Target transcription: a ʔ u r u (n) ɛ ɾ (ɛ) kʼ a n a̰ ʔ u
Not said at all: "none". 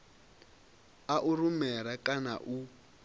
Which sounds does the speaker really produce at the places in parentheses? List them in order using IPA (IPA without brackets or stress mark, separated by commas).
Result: m, a